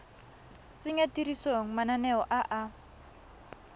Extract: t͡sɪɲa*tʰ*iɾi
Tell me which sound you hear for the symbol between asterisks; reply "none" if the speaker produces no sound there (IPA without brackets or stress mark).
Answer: t